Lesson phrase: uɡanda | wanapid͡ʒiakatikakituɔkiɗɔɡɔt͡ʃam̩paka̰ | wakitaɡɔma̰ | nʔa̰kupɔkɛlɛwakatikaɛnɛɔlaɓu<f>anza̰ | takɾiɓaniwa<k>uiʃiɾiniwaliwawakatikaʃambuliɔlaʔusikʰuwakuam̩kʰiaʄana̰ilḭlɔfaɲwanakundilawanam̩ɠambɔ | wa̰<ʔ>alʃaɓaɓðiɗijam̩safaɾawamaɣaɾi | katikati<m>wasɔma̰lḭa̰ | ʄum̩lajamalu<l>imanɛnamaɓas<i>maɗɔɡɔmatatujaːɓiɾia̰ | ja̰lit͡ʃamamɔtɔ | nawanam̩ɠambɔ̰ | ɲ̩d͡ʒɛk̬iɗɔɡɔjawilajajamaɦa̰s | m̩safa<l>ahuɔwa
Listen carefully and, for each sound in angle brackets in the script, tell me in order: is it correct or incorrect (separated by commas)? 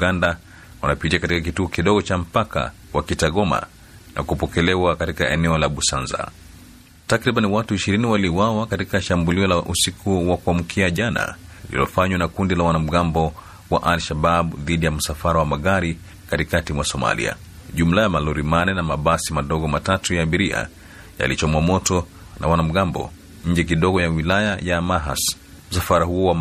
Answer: incorrect, incorrect, correct, correct, incorrect, correct, incorrect